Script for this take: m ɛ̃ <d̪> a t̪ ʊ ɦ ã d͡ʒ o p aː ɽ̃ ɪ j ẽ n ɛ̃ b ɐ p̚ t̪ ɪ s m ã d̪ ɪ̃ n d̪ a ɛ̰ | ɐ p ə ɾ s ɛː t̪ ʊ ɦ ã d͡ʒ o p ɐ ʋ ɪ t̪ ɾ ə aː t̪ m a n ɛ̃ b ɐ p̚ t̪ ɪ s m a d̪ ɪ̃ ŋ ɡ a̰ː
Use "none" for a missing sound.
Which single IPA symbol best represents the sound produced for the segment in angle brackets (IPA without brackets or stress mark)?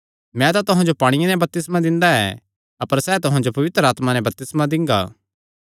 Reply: t̪